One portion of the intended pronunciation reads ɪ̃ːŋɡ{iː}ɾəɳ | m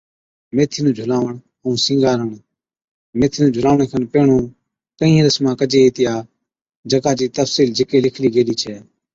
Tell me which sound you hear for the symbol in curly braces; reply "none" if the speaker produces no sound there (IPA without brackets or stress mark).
aː